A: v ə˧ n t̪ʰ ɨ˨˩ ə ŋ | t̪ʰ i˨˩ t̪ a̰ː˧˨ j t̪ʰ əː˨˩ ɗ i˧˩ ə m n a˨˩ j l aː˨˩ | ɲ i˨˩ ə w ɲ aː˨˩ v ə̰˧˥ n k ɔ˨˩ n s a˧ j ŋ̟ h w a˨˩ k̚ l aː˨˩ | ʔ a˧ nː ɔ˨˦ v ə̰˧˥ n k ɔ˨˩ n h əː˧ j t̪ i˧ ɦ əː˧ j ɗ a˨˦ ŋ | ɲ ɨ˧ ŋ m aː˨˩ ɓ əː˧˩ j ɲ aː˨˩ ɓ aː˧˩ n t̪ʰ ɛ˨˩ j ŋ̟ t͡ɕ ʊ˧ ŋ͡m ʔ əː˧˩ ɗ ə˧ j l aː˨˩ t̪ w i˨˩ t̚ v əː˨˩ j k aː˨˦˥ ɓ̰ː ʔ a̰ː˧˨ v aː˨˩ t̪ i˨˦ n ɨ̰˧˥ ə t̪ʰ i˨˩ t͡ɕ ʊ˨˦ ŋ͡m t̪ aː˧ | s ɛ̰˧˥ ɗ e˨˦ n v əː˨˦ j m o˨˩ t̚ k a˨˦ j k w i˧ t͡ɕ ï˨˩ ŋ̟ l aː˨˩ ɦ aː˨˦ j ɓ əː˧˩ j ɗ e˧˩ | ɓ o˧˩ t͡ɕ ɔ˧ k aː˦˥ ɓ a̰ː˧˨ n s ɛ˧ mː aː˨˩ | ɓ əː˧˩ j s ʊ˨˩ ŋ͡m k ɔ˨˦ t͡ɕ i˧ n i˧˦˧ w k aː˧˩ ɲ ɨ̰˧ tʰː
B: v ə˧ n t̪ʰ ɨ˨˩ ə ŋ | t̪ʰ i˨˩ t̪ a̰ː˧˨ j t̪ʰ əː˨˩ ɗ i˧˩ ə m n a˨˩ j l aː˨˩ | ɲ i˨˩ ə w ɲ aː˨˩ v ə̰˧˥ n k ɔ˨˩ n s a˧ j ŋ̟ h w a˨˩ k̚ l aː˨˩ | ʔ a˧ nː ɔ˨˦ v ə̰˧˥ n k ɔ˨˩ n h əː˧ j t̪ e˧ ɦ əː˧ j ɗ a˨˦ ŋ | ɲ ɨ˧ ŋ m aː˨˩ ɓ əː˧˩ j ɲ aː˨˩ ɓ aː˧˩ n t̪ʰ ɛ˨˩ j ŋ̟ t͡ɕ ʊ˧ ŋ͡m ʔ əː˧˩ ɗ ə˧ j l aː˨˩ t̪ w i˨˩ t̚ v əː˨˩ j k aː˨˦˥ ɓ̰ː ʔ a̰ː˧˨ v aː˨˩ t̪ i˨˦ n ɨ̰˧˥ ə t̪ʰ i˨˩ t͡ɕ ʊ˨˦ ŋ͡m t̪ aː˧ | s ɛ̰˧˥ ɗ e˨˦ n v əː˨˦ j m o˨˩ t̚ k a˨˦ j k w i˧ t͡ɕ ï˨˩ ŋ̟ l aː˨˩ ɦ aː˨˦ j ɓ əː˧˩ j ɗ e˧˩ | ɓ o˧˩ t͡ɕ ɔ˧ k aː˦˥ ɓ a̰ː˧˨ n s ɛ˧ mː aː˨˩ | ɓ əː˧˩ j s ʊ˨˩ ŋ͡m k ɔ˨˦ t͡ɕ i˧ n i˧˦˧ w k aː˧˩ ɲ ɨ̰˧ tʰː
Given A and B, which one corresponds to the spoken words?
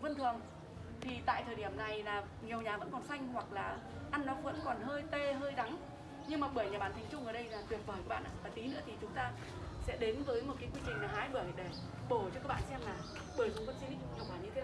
B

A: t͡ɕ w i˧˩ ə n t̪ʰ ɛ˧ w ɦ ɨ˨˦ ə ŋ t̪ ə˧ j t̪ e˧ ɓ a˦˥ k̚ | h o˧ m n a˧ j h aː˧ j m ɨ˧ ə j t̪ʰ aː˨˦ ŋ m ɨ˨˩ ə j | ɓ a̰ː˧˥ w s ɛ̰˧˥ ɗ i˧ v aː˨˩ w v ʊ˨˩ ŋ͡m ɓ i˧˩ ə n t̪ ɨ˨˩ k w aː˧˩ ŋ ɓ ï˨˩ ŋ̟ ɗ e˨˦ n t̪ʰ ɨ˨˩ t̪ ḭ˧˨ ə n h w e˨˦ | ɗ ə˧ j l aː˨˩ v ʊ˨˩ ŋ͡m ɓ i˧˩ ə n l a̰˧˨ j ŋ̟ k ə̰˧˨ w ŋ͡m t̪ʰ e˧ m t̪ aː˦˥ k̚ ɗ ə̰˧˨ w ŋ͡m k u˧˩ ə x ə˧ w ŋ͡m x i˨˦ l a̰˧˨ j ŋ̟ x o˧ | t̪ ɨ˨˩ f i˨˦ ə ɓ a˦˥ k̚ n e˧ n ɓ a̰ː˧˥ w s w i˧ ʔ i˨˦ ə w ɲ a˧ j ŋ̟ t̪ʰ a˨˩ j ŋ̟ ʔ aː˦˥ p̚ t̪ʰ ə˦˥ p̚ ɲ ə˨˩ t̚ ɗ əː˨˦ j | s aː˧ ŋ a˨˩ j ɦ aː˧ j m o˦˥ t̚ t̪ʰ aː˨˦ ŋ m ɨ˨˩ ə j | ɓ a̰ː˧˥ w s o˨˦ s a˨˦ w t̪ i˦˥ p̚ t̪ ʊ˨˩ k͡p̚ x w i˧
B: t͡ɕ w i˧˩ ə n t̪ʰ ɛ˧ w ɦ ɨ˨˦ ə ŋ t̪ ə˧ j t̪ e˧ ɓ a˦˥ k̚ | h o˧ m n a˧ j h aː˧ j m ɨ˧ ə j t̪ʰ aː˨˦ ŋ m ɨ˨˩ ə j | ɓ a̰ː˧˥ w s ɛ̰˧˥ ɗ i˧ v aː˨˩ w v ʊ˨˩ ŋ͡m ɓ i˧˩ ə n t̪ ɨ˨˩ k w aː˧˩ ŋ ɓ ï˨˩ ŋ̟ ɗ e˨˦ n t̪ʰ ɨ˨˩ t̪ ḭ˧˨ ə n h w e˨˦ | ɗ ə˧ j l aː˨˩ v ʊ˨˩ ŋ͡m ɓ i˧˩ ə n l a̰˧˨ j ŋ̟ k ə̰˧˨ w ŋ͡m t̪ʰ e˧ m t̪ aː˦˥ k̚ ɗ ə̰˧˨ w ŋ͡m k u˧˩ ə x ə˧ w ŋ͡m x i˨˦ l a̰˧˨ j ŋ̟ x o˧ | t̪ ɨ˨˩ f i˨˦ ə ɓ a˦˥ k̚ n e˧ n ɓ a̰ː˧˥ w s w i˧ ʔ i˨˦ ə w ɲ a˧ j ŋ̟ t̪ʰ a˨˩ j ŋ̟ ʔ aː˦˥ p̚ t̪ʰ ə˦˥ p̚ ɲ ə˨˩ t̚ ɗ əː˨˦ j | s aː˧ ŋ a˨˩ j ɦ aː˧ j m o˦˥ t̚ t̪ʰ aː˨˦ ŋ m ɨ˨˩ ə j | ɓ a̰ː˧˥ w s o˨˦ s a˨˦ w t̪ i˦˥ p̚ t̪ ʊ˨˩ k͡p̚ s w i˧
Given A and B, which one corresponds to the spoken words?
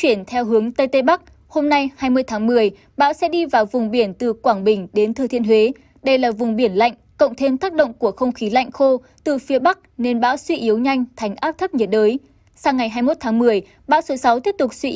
B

